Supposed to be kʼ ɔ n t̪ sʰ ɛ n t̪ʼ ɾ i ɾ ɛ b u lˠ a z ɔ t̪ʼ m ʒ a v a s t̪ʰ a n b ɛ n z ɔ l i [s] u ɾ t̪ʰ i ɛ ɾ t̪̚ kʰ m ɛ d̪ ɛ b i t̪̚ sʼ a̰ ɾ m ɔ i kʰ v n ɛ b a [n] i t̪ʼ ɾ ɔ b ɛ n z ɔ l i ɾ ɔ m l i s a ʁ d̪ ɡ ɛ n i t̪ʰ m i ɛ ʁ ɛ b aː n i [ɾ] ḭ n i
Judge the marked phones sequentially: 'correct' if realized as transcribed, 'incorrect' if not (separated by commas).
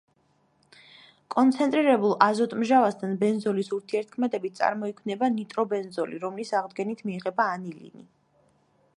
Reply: correct, correct, incorrect